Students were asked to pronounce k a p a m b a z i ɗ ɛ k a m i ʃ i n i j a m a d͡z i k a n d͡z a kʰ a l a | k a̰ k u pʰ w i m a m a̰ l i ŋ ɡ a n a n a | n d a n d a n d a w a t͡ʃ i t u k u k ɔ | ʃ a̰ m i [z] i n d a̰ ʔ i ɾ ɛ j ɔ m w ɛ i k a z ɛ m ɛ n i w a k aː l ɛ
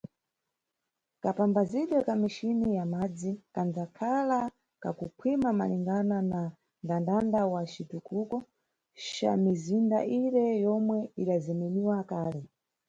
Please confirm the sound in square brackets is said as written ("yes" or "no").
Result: yes